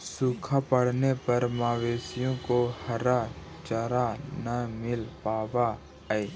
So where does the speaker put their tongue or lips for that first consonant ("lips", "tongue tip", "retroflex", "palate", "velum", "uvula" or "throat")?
tongue tip